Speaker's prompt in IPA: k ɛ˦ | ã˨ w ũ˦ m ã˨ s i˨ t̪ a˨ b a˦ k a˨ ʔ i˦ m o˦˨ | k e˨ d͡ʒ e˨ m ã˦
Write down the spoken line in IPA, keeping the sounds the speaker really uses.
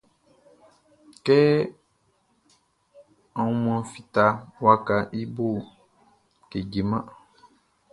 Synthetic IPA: k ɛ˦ | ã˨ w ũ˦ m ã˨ f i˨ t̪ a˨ w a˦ k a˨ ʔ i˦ b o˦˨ | k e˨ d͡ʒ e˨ m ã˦